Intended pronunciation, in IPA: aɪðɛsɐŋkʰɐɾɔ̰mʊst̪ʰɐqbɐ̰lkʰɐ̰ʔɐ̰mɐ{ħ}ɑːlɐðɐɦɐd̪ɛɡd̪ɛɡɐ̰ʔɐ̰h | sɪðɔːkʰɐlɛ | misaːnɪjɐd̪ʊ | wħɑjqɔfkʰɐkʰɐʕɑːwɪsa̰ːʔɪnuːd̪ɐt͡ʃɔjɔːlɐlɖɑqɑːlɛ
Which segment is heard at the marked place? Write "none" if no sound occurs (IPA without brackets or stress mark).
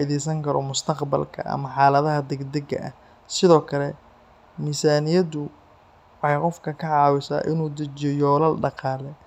ħ